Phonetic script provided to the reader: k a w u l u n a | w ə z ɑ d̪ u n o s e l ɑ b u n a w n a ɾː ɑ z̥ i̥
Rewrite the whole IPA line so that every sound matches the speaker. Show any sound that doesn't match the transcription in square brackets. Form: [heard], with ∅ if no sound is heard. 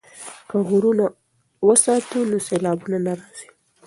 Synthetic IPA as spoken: k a [ɣ] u [ɾ] u n a | w ə [s] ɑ [t̪] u n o s e l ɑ b u n a [∅] n a [ɾ] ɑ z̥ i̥